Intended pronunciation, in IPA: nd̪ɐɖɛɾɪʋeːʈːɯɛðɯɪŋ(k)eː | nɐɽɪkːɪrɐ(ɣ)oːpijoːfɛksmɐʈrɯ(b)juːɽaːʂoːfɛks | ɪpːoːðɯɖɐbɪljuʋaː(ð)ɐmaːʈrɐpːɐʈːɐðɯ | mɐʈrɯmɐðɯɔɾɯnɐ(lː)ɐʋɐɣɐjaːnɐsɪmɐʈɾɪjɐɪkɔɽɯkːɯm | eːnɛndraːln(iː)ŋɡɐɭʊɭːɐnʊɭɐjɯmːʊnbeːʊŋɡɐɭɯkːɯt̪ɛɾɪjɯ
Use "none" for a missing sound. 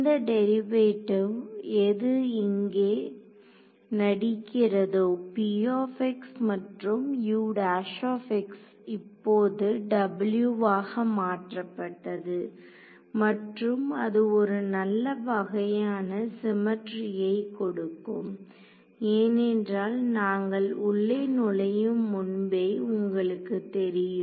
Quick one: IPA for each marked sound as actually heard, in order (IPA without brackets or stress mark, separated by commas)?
ɡ, ð, m, ɣ, lː, aː